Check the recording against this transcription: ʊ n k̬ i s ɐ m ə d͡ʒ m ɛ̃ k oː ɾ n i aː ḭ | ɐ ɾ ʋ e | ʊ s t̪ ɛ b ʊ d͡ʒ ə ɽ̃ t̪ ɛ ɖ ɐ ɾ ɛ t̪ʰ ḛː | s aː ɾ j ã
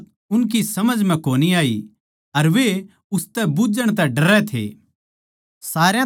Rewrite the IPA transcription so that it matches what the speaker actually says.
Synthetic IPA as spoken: ʊ n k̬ i s ɐ m ə d͡ʒ m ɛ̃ k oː n i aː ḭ | ɐ ɾ ʋ e | ʊ s t̪ ɛ b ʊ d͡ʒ ə ɽ̃ t̪ ɛ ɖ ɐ ɾ ɛ t̪ʰ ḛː | s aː ɾ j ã